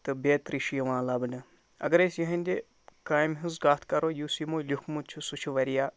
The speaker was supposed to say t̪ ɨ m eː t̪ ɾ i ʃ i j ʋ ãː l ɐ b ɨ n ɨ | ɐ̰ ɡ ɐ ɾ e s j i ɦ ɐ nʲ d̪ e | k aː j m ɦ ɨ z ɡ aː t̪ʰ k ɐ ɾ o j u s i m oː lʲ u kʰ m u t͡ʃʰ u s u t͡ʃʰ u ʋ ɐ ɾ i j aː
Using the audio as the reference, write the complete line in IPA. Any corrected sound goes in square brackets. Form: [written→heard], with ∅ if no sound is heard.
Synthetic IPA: t̪ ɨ [m→b] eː t̪ ɾ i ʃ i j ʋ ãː l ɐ b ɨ n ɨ | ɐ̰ ɡ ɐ ɾ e s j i ɦ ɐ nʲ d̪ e | k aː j m ɦ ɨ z ɡ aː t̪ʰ k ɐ ɾ o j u s i m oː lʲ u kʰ m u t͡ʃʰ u s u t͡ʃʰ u ʋ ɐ ɾ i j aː